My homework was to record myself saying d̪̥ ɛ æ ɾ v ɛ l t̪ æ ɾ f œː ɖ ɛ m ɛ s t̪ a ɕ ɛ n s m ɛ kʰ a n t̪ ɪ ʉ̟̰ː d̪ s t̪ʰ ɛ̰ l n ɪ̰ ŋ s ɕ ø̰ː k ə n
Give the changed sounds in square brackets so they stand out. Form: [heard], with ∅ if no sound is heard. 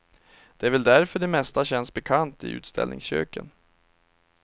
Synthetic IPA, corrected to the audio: d̪̥ ɛ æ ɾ v ɛ l [d̪] æ ɾ f [œ] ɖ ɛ m ɛ s t̪ a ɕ ɛ n s [b] ɛ kʰ a n t̪ ɪ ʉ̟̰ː [t̪] s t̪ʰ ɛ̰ l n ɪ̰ ŋ s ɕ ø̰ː k ə n